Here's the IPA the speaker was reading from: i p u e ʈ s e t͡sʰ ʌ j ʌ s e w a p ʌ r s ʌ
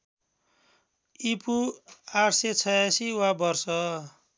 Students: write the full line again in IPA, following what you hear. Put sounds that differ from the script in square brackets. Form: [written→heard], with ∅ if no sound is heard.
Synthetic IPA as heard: i p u [e→a] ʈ s e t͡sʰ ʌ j [ʌ→a] s [e→i] w a [p→b] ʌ r s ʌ